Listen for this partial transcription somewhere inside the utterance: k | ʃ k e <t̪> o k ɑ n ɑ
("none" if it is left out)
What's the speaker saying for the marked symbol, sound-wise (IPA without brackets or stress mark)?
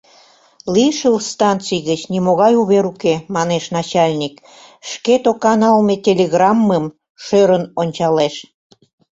t̪